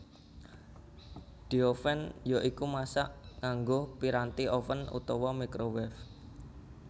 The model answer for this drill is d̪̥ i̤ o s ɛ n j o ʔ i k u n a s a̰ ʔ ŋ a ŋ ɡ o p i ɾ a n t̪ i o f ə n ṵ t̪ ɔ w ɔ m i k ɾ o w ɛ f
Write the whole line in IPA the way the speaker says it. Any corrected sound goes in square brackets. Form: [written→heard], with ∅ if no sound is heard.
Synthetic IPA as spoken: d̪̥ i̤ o [s→f] ɛ n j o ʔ i k u [n→m] a s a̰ ʔ ŋ a ŋ ɡ o p i ɾ a n t̪ i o f ə n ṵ t̪ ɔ w ɔ m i k ɾ o w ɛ f